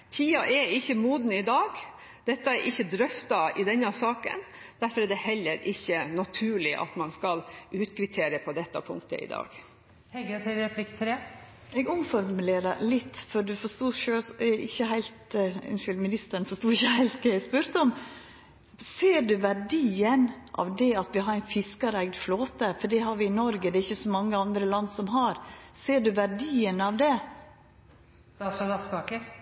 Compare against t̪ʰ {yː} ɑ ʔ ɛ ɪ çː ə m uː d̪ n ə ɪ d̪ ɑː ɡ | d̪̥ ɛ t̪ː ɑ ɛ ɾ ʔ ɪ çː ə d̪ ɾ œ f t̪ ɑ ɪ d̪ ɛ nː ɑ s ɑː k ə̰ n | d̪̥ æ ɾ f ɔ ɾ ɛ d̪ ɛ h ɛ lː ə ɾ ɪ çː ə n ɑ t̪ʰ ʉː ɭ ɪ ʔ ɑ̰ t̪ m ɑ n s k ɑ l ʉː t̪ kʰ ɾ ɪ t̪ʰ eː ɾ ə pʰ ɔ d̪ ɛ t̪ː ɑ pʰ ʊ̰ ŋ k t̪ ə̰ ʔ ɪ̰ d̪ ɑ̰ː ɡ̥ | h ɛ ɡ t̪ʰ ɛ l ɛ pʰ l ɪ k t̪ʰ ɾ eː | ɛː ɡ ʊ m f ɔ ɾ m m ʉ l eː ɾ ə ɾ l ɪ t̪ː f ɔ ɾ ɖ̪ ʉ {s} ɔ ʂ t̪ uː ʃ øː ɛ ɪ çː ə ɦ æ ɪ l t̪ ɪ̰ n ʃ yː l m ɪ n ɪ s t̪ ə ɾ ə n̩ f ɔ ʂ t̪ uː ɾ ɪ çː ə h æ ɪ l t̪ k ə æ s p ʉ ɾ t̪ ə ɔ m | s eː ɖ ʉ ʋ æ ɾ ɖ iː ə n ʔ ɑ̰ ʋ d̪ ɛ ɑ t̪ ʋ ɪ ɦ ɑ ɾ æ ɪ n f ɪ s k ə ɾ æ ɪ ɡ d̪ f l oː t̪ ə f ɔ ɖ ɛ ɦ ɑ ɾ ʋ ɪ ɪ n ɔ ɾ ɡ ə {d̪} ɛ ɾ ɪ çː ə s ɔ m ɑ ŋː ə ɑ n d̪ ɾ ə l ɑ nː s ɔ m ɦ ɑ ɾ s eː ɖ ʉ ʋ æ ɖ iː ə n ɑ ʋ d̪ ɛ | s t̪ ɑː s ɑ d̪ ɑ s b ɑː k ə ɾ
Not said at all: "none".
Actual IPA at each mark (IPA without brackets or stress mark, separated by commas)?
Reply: iː, f, d̪